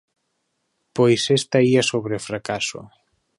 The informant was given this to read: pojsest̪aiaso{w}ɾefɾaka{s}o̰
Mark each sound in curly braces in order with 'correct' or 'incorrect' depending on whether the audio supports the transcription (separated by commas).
incorrect, correct